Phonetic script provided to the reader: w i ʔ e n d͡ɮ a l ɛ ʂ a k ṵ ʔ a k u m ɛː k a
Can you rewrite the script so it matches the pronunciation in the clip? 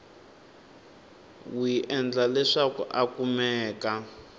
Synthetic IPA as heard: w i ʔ ɛ n d͡ɮ a l ɛ ʂ a k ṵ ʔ a k u m ɛː k a